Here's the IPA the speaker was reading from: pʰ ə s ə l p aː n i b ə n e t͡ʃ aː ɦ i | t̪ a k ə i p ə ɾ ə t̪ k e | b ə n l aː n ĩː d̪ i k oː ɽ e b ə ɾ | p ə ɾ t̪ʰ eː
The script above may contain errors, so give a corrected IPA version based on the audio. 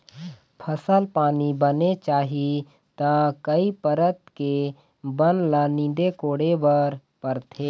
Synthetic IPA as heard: pʰ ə s ə l p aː n i b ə n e t͡ʃ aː ɦ i | t̪ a k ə i p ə ɾ ə t̪ k e | b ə n l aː n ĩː d̪ e k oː ɽ e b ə ɾ | p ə ɾ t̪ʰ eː